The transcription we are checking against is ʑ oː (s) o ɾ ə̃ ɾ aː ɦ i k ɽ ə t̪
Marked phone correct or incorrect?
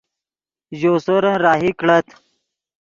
correct